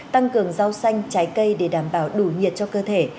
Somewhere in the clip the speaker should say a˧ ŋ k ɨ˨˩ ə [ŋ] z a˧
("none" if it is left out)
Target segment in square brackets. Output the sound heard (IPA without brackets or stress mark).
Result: ŋ